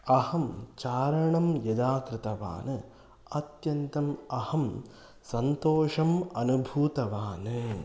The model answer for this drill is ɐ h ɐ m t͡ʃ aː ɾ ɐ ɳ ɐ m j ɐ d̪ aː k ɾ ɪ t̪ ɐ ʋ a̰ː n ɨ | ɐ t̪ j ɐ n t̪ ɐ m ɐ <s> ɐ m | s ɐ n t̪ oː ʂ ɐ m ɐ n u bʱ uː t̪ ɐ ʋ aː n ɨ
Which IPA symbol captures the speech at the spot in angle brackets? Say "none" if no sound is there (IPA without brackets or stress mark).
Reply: h